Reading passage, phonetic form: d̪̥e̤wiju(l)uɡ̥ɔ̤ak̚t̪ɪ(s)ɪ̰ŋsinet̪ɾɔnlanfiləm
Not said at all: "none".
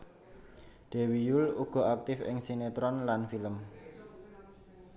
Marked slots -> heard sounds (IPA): l, f

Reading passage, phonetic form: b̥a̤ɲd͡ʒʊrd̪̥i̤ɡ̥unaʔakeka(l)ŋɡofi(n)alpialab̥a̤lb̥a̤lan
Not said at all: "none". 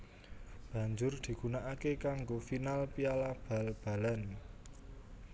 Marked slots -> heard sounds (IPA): none, n

